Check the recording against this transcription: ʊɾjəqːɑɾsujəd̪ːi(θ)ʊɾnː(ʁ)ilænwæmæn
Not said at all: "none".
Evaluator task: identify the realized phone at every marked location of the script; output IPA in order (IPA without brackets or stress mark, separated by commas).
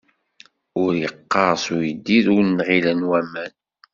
ð, ʁ